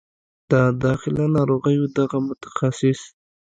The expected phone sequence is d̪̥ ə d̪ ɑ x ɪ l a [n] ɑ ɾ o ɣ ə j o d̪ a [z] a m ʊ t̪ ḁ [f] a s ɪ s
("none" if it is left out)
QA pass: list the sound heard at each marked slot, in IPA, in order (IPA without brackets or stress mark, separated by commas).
n, ɣ, x